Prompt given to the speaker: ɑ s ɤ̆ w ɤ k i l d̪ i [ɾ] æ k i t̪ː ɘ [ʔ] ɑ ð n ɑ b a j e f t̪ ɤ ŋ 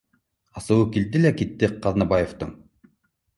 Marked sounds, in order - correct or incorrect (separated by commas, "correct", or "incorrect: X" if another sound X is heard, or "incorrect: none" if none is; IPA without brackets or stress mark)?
incorrect: l, incorrect: q